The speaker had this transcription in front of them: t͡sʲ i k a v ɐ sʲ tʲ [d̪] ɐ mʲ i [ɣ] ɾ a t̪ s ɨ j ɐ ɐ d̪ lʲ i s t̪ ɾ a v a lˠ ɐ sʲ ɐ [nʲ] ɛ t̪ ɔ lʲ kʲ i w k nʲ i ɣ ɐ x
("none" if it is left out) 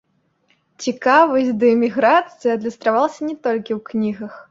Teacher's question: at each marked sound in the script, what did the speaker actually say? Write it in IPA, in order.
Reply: d̪, ɣ, nʲ

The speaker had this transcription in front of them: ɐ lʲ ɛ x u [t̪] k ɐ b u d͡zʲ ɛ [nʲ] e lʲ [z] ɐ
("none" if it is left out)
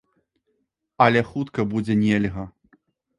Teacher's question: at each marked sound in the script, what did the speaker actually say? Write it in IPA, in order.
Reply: t̪, nʲ, ɣ

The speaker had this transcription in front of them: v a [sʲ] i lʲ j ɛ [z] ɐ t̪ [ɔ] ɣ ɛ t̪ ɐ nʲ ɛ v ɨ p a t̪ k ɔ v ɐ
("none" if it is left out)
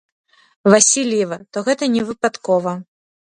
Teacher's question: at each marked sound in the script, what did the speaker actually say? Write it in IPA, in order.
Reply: sʲ, v, ɔ

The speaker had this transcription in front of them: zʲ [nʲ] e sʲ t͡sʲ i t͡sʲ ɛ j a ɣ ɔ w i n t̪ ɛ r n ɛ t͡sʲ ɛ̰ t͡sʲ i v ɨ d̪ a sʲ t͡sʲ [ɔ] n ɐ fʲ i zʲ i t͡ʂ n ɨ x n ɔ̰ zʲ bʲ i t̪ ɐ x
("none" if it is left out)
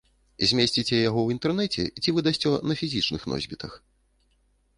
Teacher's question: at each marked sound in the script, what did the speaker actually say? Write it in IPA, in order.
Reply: mʲ, ɔ

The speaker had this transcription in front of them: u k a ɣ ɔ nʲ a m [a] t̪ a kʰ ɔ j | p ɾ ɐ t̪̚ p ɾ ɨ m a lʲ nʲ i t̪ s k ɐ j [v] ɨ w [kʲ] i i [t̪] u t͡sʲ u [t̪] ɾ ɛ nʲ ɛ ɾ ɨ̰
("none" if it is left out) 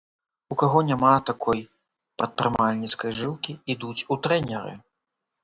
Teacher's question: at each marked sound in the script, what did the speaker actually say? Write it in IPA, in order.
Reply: a, ʐ, kʲ, d̪, t̪

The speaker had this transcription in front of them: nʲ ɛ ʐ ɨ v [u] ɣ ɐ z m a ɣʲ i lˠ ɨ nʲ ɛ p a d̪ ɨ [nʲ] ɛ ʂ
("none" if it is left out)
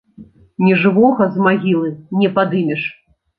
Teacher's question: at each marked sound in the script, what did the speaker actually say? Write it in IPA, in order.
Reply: ɔ, mʲ

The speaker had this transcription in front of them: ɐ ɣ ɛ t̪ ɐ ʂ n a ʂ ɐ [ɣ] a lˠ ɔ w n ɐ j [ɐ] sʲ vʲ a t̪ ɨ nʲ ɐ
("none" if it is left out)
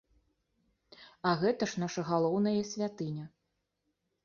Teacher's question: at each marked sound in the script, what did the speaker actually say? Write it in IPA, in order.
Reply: ɣ, ɐ

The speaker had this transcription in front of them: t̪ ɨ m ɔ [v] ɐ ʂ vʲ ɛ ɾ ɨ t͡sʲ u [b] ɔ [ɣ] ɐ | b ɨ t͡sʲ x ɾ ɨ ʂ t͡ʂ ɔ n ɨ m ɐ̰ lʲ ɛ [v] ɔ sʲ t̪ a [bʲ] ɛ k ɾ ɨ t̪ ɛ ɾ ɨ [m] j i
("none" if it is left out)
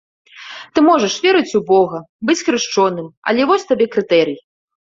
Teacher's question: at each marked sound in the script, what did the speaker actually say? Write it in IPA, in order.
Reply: ʐ, b, ɣ, v, bʲ, none

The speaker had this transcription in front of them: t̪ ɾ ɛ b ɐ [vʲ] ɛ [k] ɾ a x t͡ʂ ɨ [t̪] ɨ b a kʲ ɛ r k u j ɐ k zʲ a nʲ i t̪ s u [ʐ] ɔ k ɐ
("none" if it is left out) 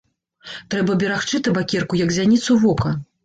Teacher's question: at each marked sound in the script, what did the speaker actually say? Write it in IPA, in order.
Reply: bʲ, none, t̪, v

